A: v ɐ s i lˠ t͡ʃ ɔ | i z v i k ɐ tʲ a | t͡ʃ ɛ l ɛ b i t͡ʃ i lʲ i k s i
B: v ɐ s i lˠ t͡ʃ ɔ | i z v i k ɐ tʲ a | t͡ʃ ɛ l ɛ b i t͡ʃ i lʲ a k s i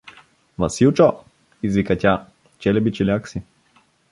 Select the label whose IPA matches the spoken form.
B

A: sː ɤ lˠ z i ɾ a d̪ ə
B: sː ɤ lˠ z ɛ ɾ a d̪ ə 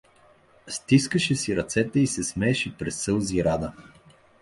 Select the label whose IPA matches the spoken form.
A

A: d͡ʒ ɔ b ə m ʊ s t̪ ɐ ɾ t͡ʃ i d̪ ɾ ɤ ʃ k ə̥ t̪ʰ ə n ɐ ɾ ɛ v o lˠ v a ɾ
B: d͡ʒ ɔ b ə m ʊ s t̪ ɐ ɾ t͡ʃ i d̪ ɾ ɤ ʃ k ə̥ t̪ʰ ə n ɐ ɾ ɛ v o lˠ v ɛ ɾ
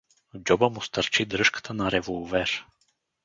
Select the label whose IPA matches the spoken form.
B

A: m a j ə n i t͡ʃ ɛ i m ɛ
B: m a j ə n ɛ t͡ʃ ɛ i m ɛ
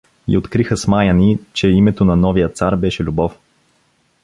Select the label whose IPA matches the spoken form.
A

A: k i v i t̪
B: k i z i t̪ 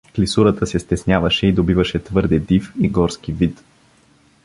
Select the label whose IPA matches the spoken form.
A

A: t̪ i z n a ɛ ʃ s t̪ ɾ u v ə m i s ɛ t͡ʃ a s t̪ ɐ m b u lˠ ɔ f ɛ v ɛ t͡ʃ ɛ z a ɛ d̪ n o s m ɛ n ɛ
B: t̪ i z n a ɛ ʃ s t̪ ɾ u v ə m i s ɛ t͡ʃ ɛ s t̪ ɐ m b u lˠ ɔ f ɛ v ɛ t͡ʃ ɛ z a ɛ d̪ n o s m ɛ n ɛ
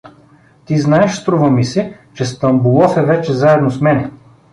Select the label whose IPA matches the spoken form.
B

